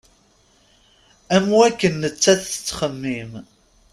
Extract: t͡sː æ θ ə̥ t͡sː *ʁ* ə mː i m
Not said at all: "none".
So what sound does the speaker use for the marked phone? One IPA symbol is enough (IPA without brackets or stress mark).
χ